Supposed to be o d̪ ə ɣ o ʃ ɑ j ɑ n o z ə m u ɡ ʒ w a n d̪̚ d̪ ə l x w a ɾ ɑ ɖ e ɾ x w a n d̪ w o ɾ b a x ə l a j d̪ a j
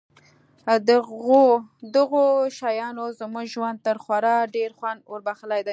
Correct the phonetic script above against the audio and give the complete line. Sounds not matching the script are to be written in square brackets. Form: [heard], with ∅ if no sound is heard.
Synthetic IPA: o d̪ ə ɣ o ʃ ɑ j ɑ n o z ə m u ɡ ʒ w a n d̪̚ [t̪] ə [ɾ] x w a ɾ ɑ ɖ e ɾ x w a n d̪ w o ɾ b a x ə l a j d̪ a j

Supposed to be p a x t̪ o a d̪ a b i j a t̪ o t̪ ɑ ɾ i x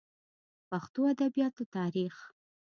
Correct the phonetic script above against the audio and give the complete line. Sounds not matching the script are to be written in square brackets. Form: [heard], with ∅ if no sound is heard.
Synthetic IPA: p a x t̪ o a d̪ a b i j [ɑ] t̪ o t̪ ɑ ɾ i x

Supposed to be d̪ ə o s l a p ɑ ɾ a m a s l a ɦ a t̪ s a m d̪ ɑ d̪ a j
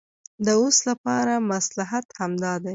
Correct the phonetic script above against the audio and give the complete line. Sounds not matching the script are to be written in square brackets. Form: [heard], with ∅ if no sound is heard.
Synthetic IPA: d̪ ə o s l a p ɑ ɾ a m a s l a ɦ a t̪ [h] a m d̪ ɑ d̪ a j

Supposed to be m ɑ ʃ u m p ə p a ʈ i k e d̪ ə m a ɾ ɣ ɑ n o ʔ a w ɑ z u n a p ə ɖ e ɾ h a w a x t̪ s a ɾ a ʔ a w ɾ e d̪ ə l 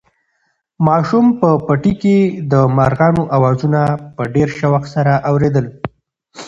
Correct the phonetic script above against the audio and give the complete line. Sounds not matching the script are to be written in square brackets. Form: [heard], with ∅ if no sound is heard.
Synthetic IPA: m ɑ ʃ u m p ə p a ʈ i k e d̪ ə m a ɾ ɣ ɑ n o ʔ a w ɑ z u n a p ə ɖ e ɾ [ʃ] a w a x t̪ s a ɾ a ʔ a w ɾ e d̪ ə l

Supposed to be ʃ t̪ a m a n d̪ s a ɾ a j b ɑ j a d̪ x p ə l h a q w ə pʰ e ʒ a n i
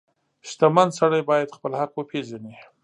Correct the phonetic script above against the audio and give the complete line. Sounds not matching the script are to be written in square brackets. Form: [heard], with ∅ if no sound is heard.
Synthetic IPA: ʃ t̪ a m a n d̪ s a [ɽ] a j b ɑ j a d̪ x p ə l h a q w ə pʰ e ʒ a n i

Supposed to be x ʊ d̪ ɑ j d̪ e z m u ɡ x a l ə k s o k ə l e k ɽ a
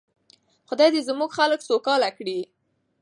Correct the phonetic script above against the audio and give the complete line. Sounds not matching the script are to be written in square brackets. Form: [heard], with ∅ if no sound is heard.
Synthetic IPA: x ʊ d̪ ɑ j d̪ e z m u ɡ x a l ə k s o k [ɑ] l [a] k ɽ [i]

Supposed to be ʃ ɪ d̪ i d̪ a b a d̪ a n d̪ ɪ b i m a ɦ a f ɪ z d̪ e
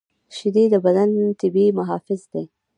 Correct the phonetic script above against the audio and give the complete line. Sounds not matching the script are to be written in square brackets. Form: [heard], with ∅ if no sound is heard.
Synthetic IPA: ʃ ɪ d̪ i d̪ [ə] b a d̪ a n [t̪] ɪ b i m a ɦ [ɑ] f ɪ z d̪ e

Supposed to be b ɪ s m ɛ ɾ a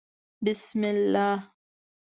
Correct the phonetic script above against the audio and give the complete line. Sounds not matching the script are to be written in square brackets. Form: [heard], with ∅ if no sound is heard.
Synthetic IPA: b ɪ s m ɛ [l] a

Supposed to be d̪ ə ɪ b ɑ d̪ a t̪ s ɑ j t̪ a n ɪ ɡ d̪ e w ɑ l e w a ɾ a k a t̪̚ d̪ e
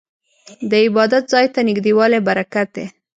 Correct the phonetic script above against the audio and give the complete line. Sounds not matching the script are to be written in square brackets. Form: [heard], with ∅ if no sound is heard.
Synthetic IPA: d̪ ə ɪ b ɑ d̪ a t̪ [z] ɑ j t̪ a n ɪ ɡ d̪ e w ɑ l e [b] a ɾ a k a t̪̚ d̪ e

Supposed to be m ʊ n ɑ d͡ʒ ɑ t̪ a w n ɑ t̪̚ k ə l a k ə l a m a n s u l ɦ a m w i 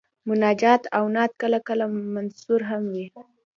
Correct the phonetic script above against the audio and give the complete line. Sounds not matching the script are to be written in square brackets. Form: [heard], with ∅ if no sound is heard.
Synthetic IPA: m ʊ n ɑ d͡ʒ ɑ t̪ a w n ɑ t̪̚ k ə l a k ə l a m a n s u [ɾ] ɦ a m w i

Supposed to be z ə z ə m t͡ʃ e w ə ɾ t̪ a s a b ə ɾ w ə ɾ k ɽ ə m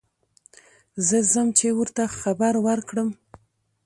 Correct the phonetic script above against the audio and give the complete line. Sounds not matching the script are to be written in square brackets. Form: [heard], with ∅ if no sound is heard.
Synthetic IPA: z ə z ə m t͡ʃ e w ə ɾ t̪ a [x] a b [a] ɾ w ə ɾ k ɽ ə m

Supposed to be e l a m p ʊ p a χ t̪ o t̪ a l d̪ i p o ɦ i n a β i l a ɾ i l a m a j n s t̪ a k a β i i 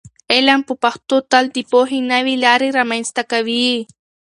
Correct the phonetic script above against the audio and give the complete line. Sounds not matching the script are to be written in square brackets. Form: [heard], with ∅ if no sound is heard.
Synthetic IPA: e l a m p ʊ p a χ t̪ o t̪ a l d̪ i p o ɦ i n a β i l a ɾ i [ɾ] a m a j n s t̪ a k a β i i

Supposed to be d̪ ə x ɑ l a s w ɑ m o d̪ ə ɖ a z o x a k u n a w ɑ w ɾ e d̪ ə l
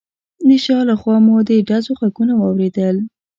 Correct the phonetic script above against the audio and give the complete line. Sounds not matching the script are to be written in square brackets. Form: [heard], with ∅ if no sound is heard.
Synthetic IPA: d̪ ə [ʃ] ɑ l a [x] w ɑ m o d̪ ə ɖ a z o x a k u n a w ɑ w ɾ e d̪ ə l

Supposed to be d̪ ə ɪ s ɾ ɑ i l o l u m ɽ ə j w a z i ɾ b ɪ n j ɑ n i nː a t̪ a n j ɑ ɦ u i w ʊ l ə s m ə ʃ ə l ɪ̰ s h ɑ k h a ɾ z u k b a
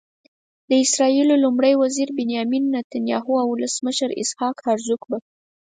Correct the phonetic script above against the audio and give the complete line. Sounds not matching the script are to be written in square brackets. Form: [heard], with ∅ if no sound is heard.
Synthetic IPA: d̪ ə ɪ s ɾ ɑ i l o l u m ɽ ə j w a z i ɾ b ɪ n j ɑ [m] i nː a t̪ a n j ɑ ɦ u [a] w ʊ l ə s m ə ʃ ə [ɾ] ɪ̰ s h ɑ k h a ɾ z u k b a

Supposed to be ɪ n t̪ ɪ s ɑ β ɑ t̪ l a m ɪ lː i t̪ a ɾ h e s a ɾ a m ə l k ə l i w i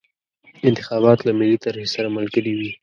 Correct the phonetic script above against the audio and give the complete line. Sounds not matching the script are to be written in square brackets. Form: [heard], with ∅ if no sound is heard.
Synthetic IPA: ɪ n t̪ ɪ [x] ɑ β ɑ t̪ l a m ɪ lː i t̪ a ɾ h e s a ɾ a m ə l k ə l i w i

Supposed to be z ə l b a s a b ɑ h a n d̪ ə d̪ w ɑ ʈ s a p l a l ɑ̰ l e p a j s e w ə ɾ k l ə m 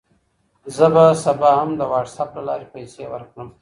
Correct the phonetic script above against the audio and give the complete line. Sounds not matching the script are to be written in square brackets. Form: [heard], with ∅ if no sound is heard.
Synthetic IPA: z ə [∅] b a s a b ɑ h a [m] d̪ ə [∅] w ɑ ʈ s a p l a l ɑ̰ [ɾ] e p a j s e w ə ɾ k [ɽ] ə m

